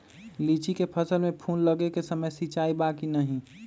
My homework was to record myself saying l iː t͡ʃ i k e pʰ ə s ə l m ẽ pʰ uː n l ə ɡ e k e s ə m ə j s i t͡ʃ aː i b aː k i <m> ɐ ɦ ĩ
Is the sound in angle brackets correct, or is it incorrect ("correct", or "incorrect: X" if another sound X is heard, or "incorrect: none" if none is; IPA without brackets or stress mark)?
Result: incorrect: n